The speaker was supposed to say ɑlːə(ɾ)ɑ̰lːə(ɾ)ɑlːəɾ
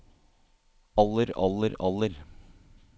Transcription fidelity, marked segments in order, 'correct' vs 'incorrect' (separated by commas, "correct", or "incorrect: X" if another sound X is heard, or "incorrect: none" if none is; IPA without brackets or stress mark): correct, correct